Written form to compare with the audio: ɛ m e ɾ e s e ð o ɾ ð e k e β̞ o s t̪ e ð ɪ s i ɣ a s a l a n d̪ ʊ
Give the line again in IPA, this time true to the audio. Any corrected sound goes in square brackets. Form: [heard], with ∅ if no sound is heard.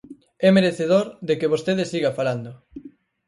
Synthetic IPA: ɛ m e ɾ e [θ] e ð o ɾ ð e k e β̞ o s t̪ e ð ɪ s i ɣ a [f] a l a n d̪ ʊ